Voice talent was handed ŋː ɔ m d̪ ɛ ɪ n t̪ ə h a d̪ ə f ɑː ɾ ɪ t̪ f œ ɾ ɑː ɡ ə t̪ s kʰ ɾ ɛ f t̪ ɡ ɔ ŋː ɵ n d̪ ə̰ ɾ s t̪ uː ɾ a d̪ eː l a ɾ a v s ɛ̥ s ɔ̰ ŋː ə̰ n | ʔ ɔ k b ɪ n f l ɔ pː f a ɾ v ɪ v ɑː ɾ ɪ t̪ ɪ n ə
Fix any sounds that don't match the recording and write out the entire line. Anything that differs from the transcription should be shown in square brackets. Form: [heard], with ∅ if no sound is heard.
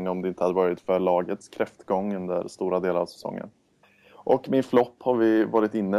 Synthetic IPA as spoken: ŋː ɔ m d̪ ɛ ɪ n t̪ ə h a d̪ ə [v] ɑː ɾ ɪ t̪ f œ [ɭ] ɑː ɡ ə t̪ s kʰ ɾ ɛ f t̪ ɡ ɔ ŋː ɵ n d̪ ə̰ ɾ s t̪ uː ɾ a d̪ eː l a ɾ a v s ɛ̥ s ɔ̰ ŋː ə̰ n | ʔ ɔ k [m] ɪ n f l ɔ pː [h] a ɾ v ɪ v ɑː ɾ ɪ t̪ ɪ [nː] ə